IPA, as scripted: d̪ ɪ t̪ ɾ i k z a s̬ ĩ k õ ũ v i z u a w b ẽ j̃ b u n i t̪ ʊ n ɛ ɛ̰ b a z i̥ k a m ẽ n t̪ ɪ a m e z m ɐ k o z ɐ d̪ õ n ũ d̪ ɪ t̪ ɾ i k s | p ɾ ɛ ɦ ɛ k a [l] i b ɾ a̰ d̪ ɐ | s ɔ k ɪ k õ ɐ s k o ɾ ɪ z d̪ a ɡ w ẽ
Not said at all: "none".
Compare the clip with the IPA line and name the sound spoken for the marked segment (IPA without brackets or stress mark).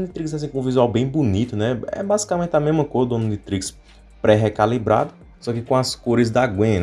l